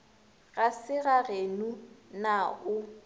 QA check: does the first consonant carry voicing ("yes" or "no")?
yes